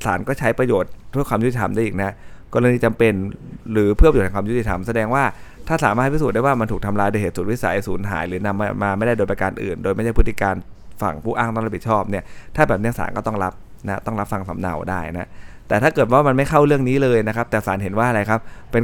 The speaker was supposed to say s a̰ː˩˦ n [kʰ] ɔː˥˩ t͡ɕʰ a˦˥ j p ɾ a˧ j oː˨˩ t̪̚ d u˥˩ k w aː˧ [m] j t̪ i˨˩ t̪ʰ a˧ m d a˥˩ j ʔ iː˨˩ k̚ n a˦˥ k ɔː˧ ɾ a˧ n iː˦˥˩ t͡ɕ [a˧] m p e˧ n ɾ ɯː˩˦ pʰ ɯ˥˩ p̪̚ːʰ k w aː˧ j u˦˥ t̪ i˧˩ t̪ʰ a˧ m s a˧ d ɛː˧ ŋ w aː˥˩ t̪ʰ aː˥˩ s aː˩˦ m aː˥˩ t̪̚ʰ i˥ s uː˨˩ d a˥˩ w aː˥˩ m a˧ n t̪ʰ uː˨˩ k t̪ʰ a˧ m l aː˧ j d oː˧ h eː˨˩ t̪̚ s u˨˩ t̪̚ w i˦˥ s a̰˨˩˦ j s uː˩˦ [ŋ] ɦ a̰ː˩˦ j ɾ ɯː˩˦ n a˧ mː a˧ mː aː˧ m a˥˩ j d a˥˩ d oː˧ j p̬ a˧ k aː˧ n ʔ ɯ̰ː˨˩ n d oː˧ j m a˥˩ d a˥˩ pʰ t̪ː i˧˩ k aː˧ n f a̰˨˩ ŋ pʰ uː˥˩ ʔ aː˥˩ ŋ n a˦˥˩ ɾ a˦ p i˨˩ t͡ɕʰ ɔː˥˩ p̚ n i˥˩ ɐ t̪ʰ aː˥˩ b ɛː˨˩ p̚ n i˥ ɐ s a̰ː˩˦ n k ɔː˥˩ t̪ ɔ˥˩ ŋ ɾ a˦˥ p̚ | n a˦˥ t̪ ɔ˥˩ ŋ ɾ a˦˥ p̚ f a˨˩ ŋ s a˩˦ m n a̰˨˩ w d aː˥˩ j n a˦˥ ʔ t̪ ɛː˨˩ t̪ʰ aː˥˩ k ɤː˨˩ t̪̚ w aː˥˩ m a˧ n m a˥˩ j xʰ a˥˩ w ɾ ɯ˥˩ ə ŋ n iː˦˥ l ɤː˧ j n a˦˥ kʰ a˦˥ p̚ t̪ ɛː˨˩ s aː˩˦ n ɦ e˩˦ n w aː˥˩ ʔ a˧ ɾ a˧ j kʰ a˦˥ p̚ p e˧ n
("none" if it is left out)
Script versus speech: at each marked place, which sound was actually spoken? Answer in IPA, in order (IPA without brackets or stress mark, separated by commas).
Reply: k, m, a˧, n